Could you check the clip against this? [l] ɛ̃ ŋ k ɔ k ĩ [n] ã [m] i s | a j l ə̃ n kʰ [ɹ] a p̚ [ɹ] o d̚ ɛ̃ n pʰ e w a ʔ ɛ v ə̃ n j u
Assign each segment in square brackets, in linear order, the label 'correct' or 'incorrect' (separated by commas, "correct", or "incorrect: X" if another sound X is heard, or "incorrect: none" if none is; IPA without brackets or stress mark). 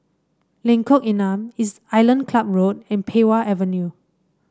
correct, correct, correct, incorrect: l, correct